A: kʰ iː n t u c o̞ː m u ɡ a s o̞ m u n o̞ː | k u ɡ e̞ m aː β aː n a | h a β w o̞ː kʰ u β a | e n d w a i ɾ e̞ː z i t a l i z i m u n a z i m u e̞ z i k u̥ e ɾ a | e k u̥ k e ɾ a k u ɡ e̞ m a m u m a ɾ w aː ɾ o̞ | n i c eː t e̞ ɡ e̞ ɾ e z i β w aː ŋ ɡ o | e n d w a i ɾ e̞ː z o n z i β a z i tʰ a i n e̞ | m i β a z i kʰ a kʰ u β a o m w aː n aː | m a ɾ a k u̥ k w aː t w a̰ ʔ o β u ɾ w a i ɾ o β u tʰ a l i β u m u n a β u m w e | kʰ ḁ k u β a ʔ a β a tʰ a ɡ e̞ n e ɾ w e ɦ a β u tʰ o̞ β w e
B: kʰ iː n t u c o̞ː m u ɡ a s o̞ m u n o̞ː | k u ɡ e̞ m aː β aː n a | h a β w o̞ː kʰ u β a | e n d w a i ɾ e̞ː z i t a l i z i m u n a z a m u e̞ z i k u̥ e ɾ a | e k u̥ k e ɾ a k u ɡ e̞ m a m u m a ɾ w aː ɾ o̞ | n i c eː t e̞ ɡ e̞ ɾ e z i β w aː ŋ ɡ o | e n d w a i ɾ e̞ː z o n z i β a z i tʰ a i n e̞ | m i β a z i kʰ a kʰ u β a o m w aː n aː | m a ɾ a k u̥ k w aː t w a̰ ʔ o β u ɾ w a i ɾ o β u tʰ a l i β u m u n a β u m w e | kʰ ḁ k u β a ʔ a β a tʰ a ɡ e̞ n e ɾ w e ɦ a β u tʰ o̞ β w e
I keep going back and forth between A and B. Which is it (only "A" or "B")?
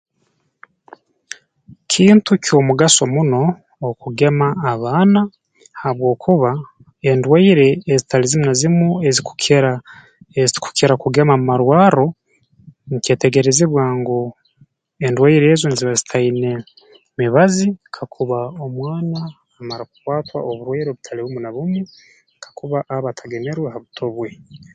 A